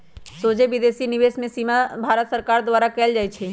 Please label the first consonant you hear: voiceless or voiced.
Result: voiceless